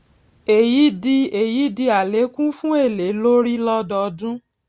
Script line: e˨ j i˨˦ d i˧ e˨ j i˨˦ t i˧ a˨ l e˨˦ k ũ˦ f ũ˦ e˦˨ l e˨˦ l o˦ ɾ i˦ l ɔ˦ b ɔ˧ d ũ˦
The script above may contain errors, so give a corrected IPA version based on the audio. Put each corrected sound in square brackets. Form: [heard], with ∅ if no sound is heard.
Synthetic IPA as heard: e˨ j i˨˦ d i˧ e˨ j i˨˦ [d] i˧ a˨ l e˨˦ k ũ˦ f ũ˦ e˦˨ l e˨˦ l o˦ ɾ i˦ l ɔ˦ [d] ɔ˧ d ũ˦